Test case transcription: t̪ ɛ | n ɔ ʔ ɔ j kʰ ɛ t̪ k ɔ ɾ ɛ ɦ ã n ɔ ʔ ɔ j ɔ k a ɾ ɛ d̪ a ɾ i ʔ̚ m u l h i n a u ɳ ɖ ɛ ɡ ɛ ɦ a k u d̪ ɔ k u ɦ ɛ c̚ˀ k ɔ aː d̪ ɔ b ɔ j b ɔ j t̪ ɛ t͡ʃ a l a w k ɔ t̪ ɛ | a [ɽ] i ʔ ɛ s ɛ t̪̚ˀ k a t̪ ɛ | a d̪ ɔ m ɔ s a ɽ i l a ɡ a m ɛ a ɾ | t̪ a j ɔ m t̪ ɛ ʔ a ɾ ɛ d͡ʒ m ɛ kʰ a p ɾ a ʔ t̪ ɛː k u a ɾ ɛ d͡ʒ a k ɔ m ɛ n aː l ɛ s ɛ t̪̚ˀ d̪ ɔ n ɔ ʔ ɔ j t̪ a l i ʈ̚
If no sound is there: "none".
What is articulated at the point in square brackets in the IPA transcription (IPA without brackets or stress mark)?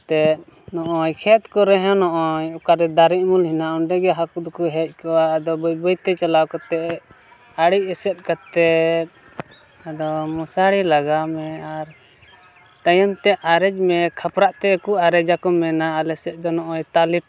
ɽ